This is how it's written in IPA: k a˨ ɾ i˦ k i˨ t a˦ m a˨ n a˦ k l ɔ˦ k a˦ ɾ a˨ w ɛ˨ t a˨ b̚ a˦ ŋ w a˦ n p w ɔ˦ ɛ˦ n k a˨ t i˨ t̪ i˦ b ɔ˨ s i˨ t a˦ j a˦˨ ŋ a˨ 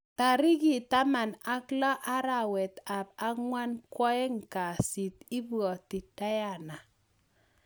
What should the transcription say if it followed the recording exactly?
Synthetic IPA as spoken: t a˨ ɾ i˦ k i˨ t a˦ m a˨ n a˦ k l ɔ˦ ʔ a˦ ɾ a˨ w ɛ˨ t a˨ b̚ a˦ ŋ w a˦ n k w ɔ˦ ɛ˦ ŋ k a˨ s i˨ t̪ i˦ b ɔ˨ t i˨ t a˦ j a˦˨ n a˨